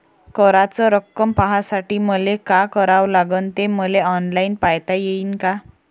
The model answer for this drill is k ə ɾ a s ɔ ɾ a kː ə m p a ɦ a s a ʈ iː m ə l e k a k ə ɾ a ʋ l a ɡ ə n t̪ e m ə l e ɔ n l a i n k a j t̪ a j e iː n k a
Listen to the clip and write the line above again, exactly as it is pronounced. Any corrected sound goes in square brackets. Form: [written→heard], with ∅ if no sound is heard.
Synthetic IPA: k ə ɾ a [s→t͡s] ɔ ɾ [a→ə] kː ə m p a ɦ a s a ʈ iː m ə l e k a k ə ɾ a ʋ l a ɡ ə n t̪ e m ə l e ɔ n l a i n [k→p] a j t̪ a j e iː n k a